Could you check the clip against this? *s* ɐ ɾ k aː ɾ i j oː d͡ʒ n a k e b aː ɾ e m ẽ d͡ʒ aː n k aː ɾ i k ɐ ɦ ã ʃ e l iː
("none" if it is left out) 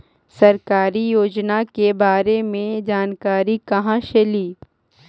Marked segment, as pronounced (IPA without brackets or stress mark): s